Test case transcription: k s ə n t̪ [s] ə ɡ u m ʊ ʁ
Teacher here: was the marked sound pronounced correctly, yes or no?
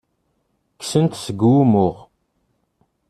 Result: yes